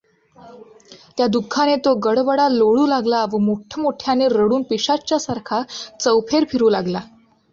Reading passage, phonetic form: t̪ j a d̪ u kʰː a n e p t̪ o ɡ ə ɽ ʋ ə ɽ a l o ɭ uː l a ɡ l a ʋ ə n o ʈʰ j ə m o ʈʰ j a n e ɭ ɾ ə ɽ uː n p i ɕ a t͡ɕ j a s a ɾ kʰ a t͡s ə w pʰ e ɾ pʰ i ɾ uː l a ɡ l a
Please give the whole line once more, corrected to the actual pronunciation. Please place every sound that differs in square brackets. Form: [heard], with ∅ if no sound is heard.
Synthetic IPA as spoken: t̪ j a d̪ u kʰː a n e [∅] t̪ o ɡ ə ɽ ʋ ə ɽ a l o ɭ uː l a ɡ l a ʋ ə [m] o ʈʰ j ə m o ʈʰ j a n e [∅] ɾ ə ɽ uː n p i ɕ a t͡ɕ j a s a ɾ kʰ a t͡s ə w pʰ e ɾ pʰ i ɾ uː l a ɡ l a